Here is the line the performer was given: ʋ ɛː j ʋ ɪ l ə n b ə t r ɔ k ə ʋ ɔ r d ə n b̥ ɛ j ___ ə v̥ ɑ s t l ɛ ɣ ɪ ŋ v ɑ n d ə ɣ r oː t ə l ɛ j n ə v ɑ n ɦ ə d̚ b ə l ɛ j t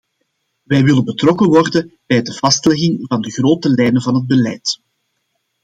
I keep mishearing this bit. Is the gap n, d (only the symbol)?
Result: d